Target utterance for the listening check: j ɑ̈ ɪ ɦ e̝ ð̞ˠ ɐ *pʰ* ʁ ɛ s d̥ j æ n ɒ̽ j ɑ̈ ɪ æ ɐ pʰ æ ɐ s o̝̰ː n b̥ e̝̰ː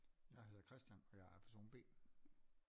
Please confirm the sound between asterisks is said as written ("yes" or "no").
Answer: no